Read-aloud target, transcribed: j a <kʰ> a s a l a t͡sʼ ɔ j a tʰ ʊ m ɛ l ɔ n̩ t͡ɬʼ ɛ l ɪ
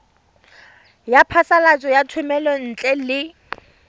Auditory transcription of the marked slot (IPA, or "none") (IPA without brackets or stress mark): pʰ